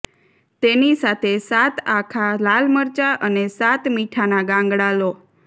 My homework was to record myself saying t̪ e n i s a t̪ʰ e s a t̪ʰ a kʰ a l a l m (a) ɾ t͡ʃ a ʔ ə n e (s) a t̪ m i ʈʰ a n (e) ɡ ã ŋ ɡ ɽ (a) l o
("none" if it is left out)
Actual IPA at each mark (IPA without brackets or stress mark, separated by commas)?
ə, s, a, a